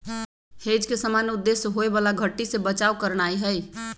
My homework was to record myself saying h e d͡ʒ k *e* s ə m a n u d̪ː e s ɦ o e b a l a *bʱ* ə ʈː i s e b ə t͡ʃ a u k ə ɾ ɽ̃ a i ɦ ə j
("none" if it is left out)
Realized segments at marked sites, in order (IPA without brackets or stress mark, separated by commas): e, ɡʱ